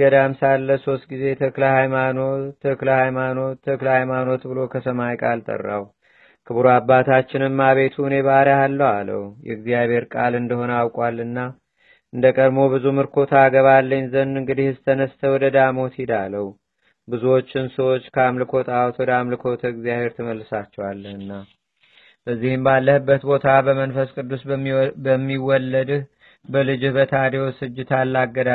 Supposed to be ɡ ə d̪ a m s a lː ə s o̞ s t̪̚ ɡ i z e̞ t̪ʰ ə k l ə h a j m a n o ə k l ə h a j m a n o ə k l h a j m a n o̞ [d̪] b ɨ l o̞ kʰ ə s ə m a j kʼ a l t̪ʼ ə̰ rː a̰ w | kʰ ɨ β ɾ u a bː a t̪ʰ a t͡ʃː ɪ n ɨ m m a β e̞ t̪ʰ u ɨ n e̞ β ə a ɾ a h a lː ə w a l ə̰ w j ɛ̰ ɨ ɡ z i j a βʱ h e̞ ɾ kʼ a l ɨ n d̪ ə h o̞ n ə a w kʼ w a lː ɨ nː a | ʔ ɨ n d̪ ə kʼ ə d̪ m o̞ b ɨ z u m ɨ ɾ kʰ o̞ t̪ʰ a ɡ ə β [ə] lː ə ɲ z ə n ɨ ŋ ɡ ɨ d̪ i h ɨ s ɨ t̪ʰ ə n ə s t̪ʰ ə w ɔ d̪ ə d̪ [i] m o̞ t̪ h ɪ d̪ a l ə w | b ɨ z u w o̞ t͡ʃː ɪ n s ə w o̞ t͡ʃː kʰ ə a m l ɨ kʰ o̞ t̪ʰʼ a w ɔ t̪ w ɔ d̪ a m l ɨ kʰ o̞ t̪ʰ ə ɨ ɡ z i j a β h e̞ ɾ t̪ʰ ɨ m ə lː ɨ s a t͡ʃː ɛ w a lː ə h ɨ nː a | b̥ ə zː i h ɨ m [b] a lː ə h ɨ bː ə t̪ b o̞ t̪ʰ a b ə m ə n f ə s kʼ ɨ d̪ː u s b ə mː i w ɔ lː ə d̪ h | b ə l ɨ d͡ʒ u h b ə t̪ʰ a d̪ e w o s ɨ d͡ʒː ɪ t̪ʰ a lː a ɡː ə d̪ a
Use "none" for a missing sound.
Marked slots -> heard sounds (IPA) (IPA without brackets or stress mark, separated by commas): t̪, a, a, b